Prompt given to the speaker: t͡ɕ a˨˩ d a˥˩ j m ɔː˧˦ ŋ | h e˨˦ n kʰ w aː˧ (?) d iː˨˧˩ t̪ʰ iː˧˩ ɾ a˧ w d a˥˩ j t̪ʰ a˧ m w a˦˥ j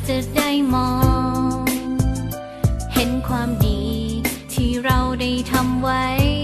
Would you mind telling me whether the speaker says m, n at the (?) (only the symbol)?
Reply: m